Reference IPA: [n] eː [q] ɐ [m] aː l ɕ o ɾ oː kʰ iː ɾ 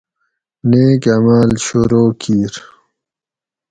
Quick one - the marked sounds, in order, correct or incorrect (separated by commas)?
correct, incorrect, correct